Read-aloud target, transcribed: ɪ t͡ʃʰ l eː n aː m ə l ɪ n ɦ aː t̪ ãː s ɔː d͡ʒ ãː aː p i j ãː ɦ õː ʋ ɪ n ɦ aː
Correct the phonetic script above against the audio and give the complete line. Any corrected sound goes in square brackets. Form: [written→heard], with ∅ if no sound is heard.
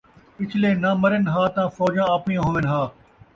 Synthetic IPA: ɪ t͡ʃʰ l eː n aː m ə [l→ɾ] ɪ n ɦ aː t̪ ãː [s→f] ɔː d͡ʒ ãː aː p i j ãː ɦ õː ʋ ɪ n ɦ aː